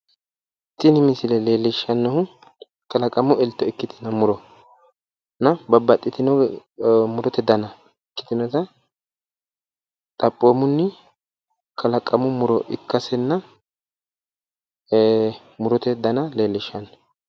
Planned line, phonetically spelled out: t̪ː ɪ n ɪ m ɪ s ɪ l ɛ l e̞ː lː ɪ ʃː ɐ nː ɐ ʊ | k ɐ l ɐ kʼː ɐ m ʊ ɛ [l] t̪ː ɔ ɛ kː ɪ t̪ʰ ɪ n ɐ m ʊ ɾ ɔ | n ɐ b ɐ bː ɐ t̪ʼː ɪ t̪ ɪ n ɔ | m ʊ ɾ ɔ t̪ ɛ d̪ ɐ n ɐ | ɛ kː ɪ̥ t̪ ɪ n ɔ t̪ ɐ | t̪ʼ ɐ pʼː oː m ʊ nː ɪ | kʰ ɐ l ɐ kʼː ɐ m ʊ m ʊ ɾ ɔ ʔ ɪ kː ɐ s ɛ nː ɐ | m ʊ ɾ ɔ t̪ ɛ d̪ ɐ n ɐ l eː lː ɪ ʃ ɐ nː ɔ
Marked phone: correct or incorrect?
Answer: correct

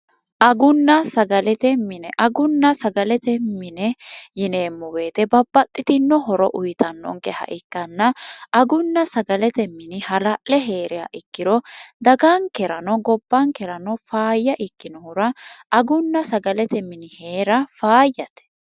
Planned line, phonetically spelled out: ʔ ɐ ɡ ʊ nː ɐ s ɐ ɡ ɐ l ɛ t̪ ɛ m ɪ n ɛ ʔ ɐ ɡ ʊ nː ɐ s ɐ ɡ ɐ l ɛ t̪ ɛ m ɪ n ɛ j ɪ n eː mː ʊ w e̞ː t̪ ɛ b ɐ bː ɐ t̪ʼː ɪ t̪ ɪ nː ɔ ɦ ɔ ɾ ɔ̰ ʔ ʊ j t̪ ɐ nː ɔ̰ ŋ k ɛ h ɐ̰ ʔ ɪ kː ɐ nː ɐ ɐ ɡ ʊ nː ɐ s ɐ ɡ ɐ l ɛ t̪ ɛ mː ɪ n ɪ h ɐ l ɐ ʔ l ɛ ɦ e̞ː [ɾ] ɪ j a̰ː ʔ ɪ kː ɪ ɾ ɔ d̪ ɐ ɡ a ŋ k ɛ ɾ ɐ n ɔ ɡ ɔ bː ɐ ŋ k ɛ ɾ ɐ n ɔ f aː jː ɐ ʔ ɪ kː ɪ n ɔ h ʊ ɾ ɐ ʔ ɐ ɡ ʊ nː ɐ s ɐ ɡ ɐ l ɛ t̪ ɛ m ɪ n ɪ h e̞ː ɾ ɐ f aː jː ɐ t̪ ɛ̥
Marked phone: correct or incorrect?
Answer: correct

